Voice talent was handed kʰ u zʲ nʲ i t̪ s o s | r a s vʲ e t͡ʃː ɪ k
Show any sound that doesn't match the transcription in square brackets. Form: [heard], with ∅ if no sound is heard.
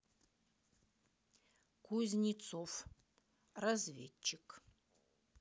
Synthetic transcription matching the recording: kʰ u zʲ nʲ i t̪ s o [f] | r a [z] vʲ e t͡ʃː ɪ k